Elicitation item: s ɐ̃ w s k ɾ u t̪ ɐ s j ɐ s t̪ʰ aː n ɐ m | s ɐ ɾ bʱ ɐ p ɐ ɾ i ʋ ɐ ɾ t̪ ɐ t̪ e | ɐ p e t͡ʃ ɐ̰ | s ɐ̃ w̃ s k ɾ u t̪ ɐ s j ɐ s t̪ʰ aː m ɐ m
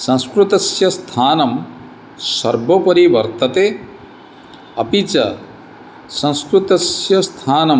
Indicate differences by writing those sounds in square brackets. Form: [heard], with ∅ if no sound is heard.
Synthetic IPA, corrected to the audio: s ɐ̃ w s k ɾ u t̪ ɐ s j ɐ s t̪ʰ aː n ɐ m | s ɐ ɾ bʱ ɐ p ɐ ɾ i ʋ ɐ ɾ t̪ ɐ t̪ e | ɐ p [i] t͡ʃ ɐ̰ | s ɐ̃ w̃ s k ɾ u t̪ ɐ s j ɐ s t̪ʰ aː [n] ɐ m